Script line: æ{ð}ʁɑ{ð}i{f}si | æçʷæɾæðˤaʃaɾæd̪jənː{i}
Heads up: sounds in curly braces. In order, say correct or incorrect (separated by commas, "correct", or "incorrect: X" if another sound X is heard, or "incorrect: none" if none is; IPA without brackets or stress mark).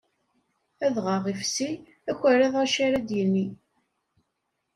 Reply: correct, incorrect: ʁ, correct, correct